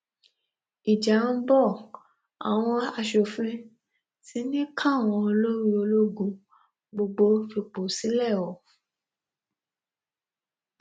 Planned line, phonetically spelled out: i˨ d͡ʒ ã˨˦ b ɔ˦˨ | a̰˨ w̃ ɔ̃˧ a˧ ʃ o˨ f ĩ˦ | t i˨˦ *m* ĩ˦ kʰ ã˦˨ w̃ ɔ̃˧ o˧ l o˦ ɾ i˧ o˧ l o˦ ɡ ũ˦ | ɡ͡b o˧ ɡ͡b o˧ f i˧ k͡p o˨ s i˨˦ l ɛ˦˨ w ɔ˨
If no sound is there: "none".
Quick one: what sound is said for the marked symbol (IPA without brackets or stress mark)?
n